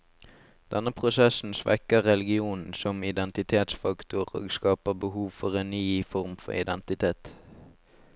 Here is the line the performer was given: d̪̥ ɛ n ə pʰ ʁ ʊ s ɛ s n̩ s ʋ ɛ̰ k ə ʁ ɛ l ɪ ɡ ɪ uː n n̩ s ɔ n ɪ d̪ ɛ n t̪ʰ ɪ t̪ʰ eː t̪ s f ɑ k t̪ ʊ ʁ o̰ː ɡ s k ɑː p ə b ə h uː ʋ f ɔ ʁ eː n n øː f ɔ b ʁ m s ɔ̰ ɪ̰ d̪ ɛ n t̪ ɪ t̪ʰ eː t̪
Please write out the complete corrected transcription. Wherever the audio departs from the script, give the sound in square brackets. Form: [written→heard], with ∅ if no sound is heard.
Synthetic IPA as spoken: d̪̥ ɛ n ə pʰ ʁ ʊ s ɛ s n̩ s ʋ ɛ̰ k ə ʁ ɛ l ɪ ɡ ɪ uː n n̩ s ɔ [n→m] ɪ d̪ ɛ n [t̪ʰ→t̪] ɪ t̪ʰ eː t̪ s f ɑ k t̪ ʊ ʁ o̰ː ɡ s k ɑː p ə b ə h uː ʋ f ɔ ʁ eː n n [øː→yː] f ɔ [b→∅] ʁ m [s→f] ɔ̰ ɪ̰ d̪ ɛ n t̪ ɪ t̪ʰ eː t̪